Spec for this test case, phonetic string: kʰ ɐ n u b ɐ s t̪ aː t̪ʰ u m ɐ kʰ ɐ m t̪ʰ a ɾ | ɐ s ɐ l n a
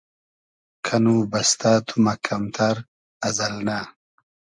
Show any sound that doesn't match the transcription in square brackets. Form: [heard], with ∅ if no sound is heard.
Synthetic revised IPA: kʰ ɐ n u b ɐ s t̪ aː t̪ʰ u m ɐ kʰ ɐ m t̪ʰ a ɾ | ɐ [z] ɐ l n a